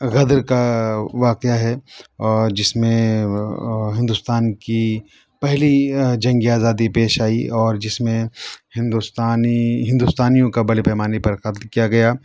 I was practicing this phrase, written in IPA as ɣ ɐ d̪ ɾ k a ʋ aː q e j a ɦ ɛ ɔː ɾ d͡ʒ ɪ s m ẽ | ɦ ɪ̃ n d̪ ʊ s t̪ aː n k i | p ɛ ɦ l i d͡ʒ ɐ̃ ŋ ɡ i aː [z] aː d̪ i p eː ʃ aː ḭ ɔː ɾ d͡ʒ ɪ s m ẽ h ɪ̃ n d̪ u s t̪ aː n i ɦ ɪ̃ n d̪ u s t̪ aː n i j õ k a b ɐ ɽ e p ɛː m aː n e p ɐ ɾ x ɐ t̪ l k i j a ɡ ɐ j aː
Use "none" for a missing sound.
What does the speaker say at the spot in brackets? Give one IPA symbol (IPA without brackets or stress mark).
z